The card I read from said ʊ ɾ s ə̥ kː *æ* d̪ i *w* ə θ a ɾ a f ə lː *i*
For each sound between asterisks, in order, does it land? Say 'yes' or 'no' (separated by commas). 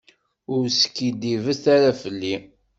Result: no, no, yes